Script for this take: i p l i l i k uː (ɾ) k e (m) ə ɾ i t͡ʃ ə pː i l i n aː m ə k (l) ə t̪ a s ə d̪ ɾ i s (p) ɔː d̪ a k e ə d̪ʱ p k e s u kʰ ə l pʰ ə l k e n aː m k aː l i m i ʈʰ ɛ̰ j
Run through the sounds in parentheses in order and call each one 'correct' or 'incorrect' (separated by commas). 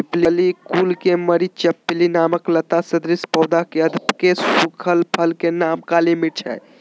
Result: incorrect, correct, correct, correct